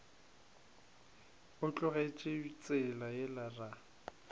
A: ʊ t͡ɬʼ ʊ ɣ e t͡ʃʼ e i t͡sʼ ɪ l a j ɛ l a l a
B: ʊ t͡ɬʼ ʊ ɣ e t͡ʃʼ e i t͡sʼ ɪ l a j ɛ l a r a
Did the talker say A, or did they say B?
B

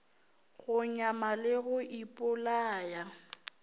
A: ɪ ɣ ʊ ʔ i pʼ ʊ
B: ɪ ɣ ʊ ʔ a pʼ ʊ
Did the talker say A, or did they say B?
A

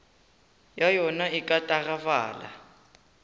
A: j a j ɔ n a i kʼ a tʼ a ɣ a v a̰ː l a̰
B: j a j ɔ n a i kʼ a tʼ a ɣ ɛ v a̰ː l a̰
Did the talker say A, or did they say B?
A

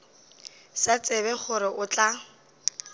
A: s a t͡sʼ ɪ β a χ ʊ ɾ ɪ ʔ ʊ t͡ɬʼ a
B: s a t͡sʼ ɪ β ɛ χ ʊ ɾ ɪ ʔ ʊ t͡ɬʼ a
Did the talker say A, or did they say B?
B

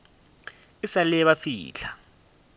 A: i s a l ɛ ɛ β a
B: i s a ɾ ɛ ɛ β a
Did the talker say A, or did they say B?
A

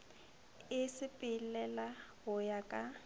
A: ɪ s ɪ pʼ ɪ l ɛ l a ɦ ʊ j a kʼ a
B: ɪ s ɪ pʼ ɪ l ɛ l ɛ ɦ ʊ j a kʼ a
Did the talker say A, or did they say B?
A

